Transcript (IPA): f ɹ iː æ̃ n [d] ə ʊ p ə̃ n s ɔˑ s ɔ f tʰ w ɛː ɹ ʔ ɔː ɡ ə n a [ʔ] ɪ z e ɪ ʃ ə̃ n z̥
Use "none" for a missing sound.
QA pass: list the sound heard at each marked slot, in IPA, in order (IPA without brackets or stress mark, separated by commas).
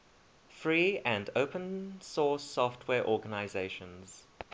d, none